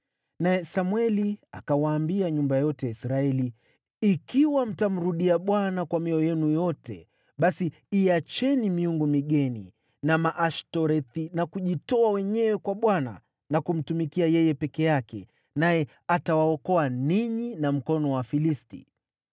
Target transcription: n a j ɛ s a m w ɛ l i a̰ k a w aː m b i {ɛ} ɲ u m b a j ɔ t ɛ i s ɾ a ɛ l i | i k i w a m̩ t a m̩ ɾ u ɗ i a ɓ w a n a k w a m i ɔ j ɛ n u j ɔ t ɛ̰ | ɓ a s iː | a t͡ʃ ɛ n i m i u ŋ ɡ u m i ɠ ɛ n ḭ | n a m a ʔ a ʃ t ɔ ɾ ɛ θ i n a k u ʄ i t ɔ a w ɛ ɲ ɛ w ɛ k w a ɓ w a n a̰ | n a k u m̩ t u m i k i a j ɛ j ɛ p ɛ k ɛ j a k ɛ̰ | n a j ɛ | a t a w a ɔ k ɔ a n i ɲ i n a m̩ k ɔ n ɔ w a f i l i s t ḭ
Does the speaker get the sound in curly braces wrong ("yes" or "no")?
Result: yes